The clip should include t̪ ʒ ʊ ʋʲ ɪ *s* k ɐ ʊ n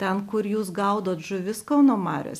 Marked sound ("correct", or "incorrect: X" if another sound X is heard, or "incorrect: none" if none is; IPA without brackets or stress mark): correct